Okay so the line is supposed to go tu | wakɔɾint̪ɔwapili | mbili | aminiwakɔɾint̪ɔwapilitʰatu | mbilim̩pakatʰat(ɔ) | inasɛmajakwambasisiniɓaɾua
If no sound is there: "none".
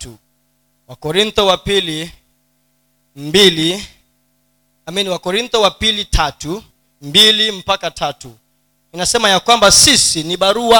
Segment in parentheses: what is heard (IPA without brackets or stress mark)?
u